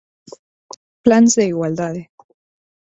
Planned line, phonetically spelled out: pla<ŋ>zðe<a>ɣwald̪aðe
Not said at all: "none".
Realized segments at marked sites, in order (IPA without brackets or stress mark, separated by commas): n, i